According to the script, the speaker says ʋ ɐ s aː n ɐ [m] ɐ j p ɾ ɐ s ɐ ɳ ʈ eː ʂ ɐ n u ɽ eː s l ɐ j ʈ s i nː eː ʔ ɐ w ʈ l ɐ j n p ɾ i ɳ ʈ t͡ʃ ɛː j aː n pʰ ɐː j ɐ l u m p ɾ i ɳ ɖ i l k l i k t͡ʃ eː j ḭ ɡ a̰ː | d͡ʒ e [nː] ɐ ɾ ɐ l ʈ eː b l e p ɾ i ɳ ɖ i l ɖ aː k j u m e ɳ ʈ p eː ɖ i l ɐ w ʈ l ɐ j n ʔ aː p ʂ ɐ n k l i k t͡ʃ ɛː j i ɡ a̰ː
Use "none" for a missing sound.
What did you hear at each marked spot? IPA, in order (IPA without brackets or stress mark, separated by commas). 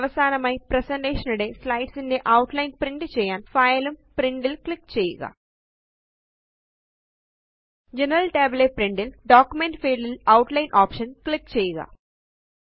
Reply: m, n